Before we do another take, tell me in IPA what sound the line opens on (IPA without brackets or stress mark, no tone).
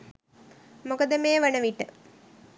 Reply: m